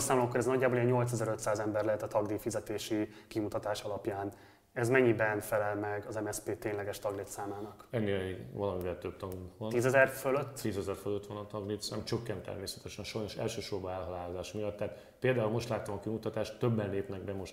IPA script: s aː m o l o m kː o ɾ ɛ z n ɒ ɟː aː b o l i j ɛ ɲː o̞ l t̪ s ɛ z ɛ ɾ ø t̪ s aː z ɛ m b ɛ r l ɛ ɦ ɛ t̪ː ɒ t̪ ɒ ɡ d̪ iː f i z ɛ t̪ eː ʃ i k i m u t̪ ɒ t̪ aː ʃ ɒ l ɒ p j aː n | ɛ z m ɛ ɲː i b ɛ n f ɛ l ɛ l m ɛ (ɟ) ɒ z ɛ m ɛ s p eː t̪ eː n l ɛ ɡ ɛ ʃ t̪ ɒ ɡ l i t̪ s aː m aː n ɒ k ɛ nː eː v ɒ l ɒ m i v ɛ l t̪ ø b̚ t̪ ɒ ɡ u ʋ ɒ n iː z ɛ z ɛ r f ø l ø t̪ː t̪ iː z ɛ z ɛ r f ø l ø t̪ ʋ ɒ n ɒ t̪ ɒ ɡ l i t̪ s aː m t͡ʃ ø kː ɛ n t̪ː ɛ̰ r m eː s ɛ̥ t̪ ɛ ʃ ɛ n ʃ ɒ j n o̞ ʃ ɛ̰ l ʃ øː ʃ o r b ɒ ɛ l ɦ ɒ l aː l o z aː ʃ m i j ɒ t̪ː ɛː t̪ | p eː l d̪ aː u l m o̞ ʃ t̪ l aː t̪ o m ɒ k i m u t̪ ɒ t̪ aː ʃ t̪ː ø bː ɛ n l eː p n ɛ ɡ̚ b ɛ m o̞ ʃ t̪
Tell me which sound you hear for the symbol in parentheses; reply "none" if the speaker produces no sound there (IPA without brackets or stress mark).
ɡ